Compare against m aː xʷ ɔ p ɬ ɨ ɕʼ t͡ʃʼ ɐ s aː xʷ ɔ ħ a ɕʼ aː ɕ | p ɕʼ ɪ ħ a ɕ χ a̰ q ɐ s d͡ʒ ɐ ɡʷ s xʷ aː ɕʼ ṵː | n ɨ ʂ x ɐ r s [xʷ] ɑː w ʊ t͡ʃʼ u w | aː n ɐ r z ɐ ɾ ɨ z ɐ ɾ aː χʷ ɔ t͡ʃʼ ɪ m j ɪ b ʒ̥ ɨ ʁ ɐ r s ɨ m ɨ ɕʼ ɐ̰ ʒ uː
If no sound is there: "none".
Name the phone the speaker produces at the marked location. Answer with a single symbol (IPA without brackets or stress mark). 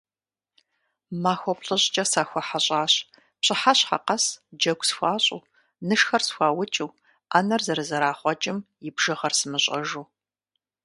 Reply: xʷ